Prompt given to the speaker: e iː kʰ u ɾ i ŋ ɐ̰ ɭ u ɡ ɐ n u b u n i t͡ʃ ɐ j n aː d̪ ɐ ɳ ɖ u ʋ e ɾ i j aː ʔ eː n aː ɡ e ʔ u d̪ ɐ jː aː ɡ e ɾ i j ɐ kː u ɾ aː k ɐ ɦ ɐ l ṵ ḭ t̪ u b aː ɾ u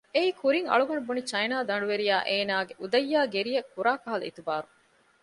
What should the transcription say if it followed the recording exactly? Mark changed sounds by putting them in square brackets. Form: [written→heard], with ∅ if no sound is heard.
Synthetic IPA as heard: e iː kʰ u ɾ i ŋ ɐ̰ ɭ u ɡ ɐ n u b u n i t͡ʃ ɐ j n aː d̪ ɐ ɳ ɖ u ʋ e ɾ i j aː ʔ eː n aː ɡ e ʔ u d̪ ɐ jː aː ɡ e ɾ i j ɐ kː u ɾ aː k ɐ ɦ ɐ l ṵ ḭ t̪ u b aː ɾ u